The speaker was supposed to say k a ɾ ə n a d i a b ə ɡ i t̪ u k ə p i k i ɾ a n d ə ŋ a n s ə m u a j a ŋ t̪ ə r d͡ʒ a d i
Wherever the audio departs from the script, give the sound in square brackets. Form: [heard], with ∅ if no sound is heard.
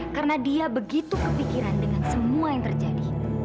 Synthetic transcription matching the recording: k a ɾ ə n a d i a b ə ɡ i t̪ u k ə p i k i ɾ a n d ə ŋ a n s ə m u a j a ŋ t̪ ə r d͡ʒ a d i